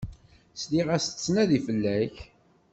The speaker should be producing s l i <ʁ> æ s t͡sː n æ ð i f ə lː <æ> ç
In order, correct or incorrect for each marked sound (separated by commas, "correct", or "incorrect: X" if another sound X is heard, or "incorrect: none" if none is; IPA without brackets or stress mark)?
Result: correct, correct